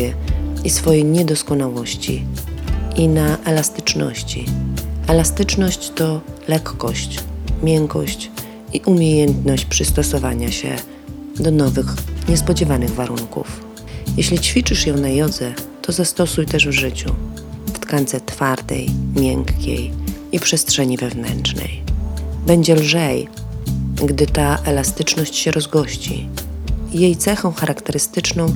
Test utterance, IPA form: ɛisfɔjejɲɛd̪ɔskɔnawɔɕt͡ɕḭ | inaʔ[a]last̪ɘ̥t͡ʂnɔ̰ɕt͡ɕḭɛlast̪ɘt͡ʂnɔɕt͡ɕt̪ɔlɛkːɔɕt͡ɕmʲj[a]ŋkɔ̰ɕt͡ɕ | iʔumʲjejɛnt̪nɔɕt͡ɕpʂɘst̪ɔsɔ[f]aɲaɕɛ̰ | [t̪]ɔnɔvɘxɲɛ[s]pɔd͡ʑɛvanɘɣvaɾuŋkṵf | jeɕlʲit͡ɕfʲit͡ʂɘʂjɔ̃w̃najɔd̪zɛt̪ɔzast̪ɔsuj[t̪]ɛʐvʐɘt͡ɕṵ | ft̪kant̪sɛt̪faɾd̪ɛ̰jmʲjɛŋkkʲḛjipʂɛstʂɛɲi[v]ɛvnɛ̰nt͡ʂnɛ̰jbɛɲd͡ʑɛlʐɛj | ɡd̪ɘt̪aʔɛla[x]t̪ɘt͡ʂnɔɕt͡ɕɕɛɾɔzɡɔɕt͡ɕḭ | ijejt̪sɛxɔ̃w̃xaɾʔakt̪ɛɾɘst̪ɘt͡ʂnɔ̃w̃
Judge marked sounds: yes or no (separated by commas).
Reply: no, no, no, no, yes, yes, yes, no